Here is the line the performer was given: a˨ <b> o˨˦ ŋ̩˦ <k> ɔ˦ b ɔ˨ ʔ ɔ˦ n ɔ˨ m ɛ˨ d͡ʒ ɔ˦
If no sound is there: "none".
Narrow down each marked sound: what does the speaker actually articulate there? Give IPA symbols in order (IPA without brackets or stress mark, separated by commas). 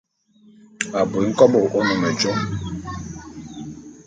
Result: b, k